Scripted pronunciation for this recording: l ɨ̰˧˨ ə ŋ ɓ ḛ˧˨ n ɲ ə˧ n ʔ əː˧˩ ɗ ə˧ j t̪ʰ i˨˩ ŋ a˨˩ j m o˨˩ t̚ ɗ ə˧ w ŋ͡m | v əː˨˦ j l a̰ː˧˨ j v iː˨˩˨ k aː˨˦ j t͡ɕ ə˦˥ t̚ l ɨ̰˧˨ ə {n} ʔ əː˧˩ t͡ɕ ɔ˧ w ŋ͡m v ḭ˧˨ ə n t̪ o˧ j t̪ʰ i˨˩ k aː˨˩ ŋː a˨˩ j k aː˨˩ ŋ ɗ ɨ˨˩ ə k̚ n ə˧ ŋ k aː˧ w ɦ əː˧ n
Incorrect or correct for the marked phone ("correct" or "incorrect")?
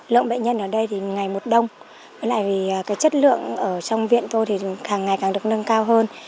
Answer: incorrect